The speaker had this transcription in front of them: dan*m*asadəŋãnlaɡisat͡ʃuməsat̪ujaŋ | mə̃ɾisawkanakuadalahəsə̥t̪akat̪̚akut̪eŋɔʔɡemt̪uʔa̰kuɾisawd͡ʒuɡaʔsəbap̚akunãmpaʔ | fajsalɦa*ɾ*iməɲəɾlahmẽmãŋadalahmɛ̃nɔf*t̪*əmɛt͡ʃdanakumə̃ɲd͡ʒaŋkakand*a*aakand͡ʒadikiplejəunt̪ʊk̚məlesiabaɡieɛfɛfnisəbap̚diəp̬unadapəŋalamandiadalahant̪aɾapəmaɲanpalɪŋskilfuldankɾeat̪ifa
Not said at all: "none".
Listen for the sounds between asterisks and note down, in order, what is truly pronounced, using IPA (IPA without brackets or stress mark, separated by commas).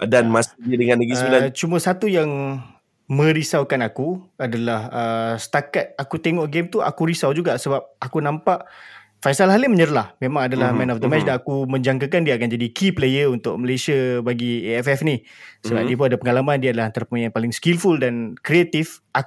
m, l, d̪, i